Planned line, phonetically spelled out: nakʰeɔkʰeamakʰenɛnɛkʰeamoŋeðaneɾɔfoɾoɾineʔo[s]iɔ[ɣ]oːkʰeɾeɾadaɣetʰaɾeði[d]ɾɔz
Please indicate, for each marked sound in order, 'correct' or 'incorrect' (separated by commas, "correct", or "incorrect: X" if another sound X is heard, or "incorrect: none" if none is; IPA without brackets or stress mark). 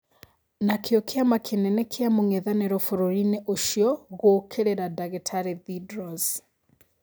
incorrect: ʃ, correct, correct